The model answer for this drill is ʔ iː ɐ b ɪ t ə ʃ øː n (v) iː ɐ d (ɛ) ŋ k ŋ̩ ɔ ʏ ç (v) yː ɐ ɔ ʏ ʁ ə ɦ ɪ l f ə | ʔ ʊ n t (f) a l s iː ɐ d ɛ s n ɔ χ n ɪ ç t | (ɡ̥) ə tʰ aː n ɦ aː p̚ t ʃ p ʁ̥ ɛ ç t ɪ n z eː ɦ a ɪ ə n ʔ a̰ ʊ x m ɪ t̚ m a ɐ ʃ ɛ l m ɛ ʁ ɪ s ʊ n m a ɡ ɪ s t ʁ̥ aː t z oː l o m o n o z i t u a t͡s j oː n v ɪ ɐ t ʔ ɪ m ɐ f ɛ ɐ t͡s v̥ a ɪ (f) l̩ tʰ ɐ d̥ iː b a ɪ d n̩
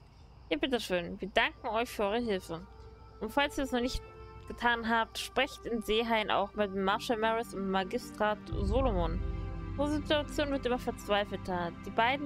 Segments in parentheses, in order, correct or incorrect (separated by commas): correct, incorrect, incorrect, correct, correct, correct